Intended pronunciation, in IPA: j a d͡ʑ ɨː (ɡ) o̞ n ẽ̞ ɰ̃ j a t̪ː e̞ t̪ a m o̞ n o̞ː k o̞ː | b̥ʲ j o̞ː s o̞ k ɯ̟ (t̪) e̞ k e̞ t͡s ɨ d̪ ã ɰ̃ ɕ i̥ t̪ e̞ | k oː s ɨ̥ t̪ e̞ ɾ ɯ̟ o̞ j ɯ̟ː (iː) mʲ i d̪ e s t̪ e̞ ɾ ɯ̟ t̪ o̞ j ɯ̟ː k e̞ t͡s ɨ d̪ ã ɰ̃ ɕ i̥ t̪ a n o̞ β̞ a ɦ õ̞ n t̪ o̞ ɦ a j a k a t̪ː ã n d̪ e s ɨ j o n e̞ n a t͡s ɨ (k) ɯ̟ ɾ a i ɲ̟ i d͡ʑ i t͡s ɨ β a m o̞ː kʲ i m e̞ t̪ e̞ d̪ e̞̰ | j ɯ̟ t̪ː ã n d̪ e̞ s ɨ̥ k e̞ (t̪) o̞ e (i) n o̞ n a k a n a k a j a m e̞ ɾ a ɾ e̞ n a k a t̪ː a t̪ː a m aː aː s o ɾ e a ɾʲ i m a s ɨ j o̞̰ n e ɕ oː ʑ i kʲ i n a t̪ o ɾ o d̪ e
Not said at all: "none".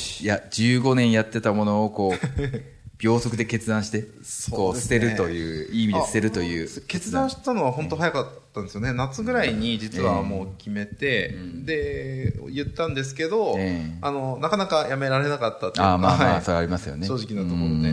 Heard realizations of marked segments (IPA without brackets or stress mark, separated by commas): ɡ, d̪, iː, ɡ, d̪, a